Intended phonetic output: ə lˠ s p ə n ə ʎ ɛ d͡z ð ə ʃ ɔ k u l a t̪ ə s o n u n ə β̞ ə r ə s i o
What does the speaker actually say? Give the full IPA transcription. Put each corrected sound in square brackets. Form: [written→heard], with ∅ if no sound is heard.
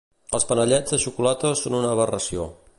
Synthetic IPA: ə lˠ s p ə n ə ʎ ɛ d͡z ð ə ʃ [ɔ→u] k u l a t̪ ə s o n u n ə β̞ ə r ə s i o